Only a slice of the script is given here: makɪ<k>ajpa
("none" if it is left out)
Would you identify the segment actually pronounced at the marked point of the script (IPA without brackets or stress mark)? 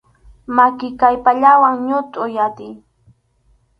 k